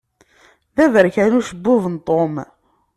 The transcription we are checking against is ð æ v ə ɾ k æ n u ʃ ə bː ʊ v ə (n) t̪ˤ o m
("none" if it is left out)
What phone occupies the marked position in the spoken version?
n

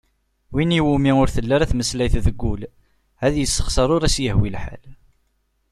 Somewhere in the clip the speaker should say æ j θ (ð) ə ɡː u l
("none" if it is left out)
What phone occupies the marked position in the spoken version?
ð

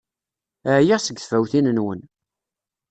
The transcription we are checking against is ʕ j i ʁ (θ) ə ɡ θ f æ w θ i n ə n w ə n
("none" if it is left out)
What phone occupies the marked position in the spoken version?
s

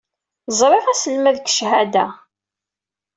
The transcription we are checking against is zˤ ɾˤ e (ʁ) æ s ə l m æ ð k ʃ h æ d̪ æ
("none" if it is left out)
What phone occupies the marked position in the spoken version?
ʁ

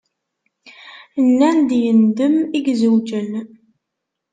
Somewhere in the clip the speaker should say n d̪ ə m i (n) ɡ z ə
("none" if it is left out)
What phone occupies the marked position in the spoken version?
none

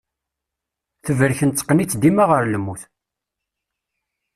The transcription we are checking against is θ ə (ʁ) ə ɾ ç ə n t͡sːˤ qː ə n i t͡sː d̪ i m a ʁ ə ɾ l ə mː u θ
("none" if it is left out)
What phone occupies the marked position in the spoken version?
v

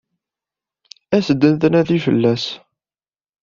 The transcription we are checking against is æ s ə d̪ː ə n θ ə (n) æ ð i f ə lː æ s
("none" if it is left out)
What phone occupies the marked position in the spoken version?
n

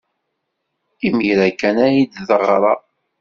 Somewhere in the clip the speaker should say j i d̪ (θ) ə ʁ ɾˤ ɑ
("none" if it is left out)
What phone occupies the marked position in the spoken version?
ð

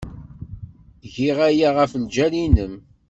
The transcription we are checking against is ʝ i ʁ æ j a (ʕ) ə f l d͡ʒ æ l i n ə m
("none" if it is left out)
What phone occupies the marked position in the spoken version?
ʁ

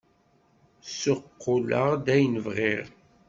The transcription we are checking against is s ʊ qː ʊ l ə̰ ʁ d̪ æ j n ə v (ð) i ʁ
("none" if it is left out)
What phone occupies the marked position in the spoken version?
ʁ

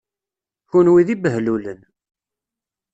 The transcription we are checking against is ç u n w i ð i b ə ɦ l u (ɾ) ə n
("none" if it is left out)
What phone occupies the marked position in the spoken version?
l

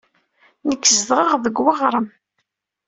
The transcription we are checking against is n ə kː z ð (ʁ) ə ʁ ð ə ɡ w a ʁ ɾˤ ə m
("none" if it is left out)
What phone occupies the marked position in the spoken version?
ʁ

